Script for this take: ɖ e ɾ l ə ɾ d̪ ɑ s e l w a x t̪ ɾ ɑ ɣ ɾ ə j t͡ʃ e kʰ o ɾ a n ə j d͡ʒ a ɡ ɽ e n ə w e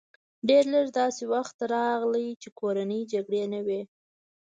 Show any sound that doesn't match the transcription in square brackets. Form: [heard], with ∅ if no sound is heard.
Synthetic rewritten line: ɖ e ɾ l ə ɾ d̪ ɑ s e [∅] w a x t̪ ɾ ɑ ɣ [l] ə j t͡ʃ e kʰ o ɾ a n ə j d͡ʒ a ɡ ɽ e n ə w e